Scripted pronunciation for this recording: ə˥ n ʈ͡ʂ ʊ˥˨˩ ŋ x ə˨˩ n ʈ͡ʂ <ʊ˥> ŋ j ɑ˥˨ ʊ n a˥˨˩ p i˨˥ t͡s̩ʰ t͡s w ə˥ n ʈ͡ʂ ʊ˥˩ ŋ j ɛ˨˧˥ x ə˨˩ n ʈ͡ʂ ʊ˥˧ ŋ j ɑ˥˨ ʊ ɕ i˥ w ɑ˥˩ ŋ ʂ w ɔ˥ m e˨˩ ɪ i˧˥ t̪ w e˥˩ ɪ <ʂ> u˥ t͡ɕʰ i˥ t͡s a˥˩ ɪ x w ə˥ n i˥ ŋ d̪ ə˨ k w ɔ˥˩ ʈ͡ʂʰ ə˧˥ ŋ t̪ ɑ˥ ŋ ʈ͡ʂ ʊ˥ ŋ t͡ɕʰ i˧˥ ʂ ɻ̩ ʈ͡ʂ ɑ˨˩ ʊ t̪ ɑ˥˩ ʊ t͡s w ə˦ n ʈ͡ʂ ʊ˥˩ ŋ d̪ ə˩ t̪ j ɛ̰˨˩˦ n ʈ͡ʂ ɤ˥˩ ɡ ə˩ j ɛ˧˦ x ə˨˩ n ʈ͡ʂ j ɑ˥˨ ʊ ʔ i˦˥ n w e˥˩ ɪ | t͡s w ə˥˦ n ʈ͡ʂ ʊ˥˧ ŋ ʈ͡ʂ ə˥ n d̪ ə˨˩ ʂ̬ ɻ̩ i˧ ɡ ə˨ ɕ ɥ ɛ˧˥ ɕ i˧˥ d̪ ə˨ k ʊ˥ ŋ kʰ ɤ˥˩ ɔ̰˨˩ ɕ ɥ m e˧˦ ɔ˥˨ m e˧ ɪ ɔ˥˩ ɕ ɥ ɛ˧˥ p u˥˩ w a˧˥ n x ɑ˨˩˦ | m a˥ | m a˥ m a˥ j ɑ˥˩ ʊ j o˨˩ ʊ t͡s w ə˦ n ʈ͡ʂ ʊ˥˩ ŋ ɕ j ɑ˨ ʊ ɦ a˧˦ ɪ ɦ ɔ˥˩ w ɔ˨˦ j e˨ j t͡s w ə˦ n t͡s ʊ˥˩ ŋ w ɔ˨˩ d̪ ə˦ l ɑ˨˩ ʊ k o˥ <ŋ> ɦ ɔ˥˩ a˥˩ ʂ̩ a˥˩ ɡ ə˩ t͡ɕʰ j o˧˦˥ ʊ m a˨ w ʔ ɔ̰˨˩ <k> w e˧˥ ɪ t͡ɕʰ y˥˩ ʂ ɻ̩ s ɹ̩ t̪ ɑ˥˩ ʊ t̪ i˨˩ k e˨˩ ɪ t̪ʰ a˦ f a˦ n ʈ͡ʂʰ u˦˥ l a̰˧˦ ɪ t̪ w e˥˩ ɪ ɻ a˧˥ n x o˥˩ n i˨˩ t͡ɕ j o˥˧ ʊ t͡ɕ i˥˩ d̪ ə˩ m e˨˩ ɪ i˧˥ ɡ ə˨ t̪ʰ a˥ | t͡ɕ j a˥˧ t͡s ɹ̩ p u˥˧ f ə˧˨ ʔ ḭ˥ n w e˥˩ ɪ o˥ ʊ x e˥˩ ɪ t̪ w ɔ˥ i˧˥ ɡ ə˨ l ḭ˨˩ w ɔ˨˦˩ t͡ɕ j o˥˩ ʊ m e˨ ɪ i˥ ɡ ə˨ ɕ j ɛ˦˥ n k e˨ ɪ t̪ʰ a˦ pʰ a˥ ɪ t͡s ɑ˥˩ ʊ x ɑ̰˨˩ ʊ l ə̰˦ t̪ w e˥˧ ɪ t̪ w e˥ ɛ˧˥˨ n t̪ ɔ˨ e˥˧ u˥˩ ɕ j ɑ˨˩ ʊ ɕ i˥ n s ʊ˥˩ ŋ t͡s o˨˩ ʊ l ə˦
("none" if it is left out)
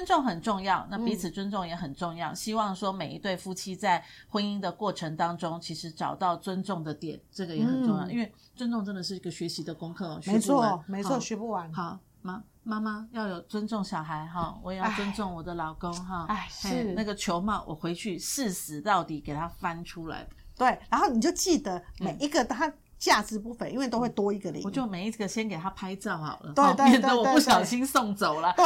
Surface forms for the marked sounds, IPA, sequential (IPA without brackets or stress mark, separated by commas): ʊ˥˧, f, ŋ, x